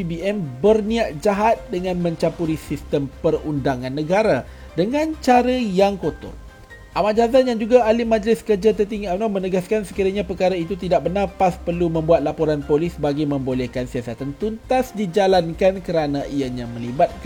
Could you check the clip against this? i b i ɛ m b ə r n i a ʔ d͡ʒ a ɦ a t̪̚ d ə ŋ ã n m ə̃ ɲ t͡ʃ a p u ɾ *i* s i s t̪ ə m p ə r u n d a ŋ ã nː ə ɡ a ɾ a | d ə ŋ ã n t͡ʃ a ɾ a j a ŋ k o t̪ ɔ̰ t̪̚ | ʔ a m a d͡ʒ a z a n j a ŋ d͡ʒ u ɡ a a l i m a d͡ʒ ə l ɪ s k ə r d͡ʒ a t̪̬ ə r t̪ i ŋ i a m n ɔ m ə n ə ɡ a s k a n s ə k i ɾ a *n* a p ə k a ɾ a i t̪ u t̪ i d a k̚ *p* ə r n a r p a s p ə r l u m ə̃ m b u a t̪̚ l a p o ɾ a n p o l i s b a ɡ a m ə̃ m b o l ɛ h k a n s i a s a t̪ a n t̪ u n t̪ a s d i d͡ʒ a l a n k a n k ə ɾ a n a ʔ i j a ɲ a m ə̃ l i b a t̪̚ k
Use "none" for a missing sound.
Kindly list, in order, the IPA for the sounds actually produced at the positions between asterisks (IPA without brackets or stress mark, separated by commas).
i, ɲ, b